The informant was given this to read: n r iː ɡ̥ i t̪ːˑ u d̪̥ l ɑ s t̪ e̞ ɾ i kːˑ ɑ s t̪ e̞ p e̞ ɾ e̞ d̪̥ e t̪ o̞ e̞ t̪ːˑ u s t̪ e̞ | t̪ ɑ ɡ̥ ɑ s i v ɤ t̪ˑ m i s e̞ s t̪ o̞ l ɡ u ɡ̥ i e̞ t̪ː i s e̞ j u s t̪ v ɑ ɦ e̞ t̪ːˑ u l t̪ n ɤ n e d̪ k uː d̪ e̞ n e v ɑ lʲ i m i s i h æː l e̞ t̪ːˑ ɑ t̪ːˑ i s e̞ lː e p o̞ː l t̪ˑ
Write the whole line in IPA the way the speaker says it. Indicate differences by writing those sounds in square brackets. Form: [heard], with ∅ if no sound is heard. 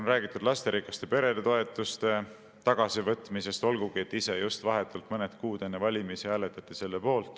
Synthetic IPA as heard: n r [æː] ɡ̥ i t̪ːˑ u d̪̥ l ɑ s t̪ e̞ ɾ i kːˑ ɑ s t̪ e̞ p e̞ ɾ e̞ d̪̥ e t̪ o̞ e̞ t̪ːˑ u s t̪ e̞ | t̪ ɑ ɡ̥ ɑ s i v ɤ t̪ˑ m i s e̞ s t̪ o̞ l ɡ u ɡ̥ i e̞ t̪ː i s e̞ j u s t̪ v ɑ ɦ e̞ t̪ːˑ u l t̪ [m] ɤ n e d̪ k uː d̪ e̞ [nː] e v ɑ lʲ i m i s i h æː l e̞ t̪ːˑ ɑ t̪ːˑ i s e̞ lː e p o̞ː l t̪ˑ

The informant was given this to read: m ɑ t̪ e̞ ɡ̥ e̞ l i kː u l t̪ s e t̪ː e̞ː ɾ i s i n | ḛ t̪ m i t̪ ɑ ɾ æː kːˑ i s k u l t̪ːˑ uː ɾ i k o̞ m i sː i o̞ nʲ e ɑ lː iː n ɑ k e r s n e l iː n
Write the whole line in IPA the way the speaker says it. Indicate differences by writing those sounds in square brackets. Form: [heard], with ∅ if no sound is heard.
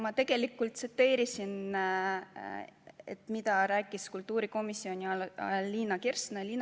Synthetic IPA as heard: m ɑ t̪ e̞ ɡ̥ e̞ l i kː u l t̪ s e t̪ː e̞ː ɾ i s i n | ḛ t̪ m i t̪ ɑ ɾ æː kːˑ i s k u l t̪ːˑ uː ɾ i k o̞ m i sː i o̞ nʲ [i] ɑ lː iː n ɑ k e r s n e l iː n

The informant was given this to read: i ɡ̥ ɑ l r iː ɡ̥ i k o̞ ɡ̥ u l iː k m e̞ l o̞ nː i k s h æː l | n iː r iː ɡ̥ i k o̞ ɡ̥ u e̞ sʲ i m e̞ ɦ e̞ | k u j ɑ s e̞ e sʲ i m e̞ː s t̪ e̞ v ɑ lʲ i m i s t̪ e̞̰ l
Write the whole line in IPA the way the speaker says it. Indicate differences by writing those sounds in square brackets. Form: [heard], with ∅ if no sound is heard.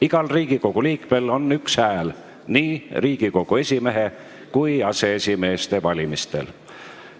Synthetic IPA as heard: i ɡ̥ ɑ l r iː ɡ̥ i k o̞ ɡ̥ u l iː k m e̞ l o̞ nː [y] k s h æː l | n iː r iː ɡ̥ i k o̞ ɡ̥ u e̞ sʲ i m e̞ ɦ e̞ | k u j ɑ s e̞ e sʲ i m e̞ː s t̪ e̞ v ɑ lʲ i m i s t̪ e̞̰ l

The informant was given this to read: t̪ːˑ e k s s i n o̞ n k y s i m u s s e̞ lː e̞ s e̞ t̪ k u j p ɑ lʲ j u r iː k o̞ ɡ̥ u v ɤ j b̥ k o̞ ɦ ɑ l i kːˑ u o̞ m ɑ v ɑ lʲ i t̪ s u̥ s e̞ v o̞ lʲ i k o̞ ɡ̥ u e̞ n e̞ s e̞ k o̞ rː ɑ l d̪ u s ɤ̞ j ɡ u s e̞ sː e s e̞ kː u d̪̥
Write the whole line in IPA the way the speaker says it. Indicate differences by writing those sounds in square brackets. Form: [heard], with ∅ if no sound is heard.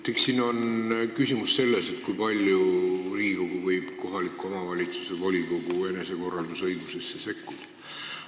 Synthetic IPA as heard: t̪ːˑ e k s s i n o̞ n k y s i m u s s e̞ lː e̞ s e̞ t̪ k u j p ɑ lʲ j u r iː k o̞ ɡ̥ u v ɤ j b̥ k o̞ ɦ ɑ l i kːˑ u o̞ m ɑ v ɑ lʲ i t̪ s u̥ s e̞ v o̞ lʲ i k o̞ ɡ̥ u e̞ n e̞ s e̞ k o̞ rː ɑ l d̪ u s ɤ̞ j ɡ u s e̞ sː e s e̞ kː u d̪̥

